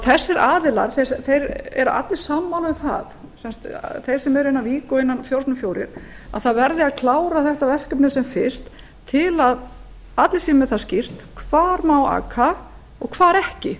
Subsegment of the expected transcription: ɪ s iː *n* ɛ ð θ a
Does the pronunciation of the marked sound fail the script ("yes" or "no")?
yes